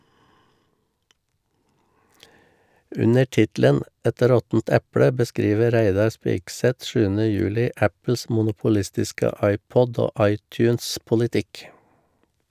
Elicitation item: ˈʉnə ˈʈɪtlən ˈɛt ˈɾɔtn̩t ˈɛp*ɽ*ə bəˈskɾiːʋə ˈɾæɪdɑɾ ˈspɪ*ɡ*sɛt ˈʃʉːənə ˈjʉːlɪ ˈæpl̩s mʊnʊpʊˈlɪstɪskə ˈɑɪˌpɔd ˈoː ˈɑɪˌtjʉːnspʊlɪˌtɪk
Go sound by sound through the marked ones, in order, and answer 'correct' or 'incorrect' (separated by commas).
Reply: correct, incorrect